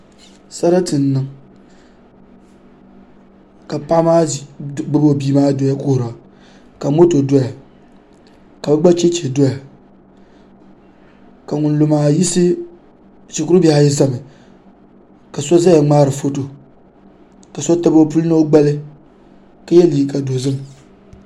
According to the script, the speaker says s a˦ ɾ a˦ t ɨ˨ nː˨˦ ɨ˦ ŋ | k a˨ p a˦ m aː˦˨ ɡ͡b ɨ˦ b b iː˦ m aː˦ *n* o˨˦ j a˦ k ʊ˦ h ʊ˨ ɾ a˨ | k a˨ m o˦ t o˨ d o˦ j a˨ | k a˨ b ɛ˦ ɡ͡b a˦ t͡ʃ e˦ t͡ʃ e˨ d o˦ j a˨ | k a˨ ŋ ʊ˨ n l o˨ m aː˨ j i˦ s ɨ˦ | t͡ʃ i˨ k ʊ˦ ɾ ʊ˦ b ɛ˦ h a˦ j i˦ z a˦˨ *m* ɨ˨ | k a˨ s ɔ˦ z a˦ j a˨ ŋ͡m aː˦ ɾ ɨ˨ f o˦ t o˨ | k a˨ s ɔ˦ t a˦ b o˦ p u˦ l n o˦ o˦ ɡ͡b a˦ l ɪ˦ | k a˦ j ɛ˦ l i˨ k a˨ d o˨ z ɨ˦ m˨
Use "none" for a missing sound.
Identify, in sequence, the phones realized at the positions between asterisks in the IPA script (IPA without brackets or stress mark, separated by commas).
d, m